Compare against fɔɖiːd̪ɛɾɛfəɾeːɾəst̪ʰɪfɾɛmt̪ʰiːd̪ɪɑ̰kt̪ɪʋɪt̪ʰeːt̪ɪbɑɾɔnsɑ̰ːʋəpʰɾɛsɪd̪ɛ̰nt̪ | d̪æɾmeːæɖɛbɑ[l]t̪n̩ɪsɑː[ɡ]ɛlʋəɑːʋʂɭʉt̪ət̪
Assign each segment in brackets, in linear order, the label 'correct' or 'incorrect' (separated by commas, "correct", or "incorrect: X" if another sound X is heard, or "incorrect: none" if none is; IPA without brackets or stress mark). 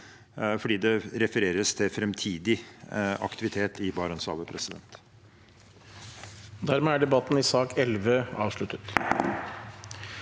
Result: incorrect: none, incorrect: k